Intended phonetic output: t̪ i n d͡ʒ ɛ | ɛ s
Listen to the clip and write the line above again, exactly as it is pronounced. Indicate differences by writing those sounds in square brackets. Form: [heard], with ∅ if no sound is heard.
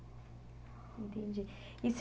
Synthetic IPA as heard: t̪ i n d͡ʒ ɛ | [i] s